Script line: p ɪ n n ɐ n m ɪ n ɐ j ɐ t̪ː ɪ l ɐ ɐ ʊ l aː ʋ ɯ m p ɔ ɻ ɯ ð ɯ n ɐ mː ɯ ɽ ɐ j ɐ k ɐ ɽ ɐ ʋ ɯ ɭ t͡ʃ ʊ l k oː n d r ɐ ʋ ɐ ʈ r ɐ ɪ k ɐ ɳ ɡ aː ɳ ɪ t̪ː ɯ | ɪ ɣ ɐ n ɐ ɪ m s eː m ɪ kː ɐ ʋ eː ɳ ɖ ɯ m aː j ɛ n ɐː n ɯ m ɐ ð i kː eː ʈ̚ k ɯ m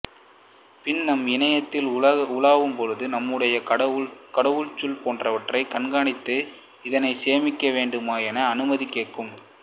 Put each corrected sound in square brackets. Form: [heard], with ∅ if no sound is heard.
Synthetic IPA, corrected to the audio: p ɪ n n ɐ [∅] m ɪ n ɐ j ɐ t̪ː ɪ l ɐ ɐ ʊ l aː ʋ ɯ m p ɔ ɻ ɯ ð ɯ n ɐ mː ɯ ɽ ɐ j ɐ k ɐ ɽ ɐ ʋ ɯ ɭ t͡ʃ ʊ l [p] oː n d r ɐ ʋ ɐ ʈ r ɐ ɪ k ɐ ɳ ɡ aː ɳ ɪ t̪ː ɯ | ɪ [ð] ɐ n ɐ ɪ [∅] s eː m ɪ kː ɐ ʋ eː ɳ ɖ ɯ m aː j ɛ n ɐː n ɯ m ɐ ð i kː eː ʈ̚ k ɯ m